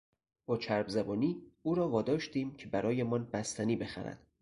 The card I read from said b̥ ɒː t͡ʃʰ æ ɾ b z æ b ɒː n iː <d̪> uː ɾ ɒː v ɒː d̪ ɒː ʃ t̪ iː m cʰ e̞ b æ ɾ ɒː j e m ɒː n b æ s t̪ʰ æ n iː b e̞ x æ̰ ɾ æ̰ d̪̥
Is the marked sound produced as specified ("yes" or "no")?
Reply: no